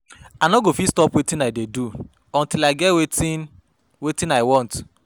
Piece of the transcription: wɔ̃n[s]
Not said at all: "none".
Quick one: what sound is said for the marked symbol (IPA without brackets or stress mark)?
t